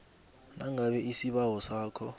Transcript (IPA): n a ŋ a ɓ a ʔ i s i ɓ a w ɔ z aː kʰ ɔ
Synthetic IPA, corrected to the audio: n a ŋ a ɓ ɛ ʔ i s i ɓ a w ɔ s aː kʰ ɔ